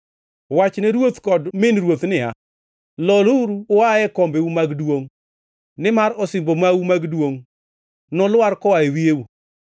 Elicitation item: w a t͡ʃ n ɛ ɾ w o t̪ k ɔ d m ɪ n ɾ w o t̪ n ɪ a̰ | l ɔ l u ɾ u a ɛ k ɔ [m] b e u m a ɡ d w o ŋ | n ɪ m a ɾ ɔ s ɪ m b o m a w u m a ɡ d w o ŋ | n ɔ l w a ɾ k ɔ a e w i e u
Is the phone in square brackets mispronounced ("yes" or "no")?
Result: no